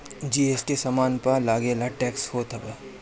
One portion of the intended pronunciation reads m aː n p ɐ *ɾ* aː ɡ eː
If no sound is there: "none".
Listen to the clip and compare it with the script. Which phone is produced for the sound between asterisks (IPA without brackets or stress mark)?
l